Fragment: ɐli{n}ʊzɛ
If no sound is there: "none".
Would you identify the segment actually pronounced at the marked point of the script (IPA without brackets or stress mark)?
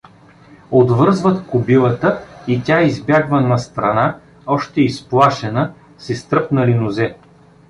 n